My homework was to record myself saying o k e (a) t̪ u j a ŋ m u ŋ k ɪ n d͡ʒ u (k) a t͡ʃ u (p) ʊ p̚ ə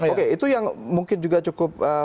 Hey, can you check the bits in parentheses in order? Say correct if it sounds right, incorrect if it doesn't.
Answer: incorrect, incorrect, incorrect

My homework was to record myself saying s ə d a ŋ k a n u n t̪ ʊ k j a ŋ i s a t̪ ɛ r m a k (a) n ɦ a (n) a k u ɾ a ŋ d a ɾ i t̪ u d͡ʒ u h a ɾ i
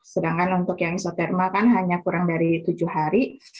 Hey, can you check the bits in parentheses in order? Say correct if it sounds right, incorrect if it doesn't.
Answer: correct, incorrect

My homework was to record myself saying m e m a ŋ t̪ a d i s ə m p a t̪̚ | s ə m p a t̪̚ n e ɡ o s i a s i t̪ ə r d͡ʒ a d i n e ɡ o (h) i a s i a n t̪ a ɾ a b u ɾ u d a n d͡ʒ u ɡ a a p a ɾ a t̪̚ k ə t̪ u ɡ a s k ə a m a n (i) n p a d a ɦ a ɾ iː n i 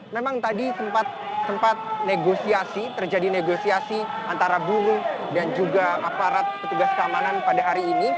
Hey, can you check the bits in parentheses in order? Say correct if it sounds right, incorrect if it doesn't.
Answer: incorrect, incorrect

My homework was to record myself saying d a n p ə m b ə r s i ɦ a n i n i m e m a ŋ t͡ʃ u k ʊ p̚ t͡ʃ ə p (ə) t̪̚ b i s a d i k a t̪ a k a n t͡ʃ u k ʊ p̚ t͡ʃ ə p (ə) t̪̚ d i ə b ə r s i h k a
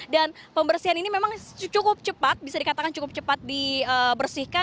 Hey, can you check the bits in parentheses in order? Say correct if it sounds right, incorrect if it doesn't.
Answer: incorrect, incorrect

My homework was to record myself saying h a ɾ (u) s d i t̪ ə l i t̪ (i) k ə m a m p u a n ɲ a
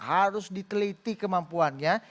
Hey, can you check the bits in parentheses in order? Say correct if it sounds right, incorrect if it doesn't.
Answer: incorrect, correct

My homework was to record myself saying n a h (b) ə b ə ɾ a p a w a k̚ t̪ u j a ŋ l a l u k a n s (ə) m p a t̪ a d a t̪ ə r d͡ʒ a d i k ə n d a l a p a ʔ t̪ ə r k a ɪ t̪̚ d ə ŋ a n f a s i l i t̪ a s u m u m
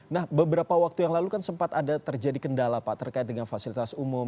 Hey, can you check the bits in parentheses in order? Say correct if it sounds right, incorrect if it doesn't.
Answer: correct, correct

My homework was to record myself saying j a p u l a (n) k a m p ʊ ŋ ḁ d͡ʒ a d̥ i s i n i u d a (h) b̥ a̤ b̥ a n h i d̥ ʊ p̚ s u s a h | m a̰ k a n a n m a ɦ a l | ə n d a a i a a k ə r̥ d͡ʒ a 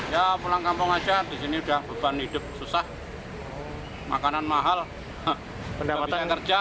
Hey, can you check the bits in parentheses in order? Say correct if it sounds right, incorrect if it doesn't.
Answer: incorrect, correct

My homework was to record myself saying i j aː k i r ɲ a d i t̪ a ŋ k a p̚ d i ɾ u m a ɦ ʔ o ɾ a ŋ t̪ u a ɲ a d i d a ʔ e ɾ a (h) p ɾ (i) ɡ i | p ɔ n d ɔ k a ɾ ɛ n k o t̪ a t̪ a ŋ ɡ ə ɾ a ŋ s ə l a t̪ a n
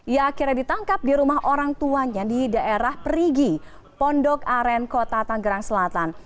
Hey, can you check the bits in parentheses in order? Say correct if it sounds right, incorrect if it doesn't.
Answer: correct, correct

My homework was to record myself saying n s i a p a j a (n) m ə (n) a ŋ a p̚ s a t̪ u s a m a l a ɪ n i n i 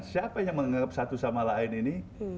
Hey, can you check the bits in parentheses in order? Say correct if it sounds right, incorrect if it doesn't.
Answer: incorrect, incorrect

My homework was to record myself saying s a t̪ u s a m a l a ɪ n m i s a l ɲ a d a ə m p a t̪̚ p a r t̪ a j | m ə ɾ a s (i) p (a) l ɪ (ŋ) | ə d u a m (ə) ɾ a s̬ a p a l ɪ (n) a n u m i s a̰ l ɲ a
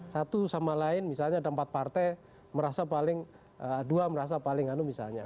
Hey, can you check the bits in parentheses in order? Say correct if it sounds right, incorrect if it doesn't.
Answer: incorrect, correct, correct, correct, incorrect

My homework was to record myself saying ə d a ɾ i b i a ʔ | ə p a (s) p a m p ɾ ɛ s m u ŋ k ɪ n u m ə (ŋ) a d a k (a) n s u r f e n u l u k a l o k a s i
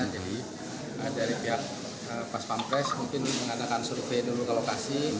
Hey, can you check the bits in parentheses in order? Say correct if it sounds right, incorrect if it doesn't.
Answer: correct, correct, correct

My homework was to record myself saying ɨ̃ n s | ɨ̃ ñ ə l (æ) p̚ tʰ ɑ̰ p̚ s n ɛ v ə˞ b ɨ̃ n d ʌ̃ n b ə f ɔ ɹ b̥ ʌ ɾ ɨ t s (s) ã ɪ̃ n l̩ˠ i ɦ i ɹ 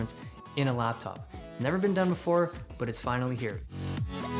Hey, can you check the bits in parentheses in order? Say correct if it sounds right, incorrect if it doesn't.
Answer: correct, incorrect

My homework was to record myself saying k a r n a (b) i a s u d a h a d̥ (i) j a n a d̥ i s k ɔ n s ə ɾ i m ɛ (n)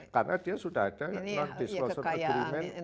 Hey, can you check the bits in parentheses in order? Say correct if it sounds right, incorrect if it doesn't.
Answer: incorrect, incorrect, correct

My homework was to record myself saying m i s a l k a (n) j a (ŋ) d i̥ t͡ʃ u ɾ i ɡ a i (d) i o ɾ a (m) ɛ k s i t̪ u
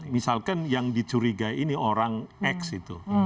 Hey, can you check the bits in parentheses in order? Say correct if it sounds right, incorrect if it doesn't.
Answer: correct, correct, incorrect, incorrect

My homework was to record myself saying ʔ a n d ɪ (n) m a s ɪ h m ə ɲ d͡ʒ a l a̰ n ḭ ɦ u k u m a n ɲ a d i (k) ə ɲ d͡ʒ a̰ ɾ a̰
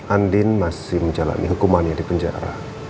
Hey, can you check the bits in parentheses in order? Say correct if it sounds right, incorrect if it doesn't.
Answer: correct, incorrect

